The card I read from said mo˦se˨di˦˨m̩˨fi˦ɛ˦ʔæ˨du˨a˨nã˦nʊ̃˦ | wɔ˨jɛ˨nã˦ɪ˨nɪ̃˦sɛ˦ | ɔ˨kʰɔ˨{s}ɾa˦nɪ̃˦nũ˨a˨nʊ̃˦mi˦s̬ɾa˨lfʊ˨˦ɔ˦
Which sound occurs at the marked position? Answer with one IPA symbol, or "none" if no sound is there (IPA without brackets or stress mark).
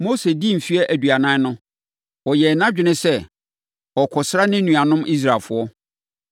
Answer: s